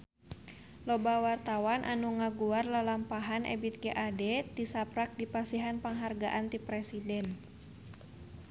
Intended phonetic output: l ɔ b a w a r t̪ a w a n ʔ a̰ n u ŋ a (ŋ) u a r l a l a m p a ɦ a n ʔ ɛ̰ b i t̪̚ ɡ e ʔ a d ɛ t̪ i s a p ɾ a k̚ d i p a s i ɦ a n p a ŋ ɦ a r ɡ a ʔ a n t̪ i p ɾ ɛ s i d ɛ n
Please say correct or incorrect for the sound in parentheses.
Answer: incorrect